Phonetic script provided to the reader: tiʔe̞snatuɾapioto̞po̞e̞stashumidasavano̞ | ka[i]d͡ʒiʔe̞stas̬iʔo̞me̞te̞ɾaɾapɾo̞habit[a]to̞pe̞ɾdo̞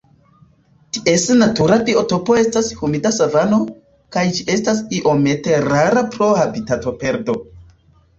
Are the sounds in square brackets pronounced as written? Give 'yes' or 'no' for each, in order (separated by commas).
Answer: no, yes